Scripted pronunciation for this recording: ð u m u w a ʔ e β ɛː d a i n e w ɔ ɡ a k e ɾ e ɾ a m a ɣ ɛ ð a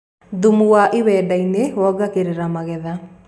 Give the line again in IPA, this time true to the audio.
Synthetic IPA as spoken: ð u m u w a ʔ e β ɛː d a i n e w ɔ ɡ a k e ɾ e ɾ a m a ɣ ɛ ð a